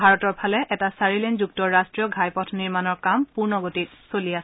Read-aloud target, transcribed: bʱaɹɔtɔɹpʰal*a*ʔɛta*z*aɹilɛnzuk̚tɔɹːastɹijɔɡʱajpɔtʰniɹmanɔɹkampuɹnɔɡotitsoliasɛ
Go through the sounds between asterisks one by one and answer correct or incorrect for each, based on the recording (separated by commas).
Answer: incorrect, incorrect